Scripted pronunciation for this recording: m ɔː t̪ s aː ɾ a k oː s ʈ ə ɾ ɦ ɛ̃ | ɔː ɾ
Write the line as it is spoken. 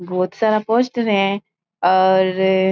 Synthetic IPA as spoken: b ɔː t̪ s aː ɾ a p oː s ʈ ə ɾ ɦ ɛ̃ | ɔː ɾ